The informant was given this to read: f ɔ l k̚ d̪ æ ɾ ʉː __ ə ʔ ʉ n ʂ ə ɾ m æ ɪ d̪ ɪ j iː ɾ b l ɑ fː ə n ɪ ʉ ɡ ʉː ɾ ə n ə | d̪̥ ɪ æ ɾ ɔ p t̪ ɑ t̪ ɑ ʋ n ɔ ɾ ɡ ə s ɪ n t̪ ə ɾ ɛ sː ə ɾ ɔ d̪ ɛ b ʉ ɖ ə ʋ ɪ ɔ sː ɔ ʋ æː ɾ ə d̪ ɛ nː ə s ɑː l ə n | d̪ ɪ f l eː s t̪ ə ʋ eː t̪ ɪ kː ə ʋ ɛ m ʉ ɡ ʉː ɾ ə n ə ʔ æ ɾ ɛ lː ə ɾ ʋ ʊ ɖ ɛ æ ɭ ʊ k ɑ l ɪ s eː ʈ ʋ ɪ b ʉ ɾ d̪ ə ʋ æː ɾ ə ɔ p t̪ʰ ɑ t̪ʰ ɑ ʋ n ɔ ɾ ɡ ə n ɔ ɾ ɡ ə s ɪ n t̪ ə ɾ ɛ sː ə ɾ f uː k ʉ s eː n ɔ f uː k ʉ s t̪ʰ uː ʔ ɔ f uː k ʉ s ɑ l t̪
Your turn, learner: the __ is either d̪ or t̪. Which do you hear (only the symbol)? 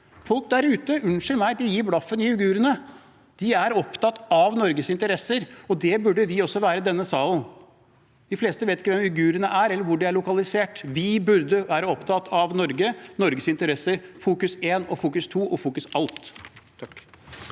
t̪